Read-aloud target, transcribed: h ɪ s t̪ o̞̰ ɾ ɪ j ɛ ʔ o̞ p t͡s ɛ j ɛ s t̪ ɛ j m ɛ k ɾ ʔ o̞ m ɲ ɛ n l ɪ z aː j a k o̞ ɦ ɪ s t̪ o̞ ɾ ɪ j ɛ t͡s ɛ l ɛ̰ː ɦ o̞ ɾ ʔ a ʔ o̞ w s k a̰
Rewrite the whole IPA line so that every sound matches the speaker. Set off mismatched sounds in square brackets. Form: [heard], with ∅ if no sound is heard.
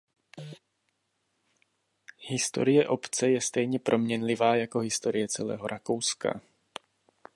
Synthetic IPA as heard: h ɪ s t̪ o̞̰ ɾ ɪ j ɛ ʔ o̞ p t͡s ɛ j ɛ s t̪ ɛ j [ɲ] ɛ [p] ɾ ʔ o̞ m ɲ ɛ n l ɪ [v] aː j a k o̞ ɦ ɪ s t̪ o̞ ɾ ɪ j ɛ t͡s ɛ l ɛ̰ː ɦ o̞ ɾ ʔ a [k] o̞ w s k a̰